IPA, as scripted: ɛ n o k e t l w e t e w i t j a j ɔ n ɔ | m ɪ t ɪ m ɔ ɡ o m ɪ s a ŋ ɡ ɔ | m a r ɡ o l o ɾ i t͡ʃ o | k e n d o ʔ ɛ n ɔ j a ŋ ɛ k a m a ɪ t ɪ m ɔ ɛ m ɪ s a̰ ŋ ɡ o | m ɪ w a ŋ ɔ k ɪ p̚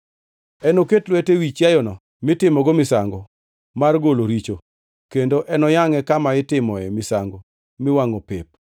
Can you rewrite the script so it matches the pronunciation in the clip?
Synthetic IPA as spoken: ɛ n o k e t l w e t e w i t͡ʃ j a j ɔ n ɔ | m ɪ t ɪ m ɔ ɡ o m ɪ s a ŋ ɡ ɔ | m a r ɡ o l o ɾ i t͡ʃ o | k e n d o ʔ ɛ n ɔ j a ŋ ɛ k a m a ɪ t ɪ m ɔ ɛ m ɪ s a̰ ŋ ɡ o | m ɪ w a ŋ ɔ p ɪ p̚

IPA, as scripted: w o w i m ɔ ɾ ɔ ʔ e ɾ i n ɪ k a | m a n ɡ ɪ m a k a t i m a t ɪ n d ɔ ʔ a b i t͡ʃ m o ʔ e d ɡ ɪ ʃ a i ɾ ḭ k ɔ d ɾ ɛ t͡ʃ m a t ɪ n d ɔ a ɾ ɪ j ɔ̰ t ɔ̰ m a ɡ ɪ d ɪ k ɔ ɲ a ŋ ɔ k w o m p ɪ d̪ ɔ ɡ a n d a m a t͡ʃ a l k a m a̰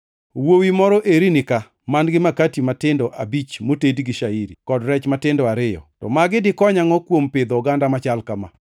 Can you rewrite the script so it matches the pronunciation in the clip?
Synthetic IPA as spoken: w o w i m ɔ ɾ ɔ ʔ e ɾ i n ɪ k a | m a n ɡ ɪ m a k a t i m a t ɪ n d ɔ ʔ a b i t͡ʃ m o t e d ɡ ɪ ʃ a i ɾ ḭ k ɔ d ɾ ɛ t͡ʃ m a t ɪ n d ɔ a ɾ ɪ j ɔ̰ t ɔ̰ m a ɡ ɪ d ɪ k ɔ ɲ a ŋ ɔ k w o m p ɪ d̪ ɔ ɡ a n d a m a t͡ʃ a l k a m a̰

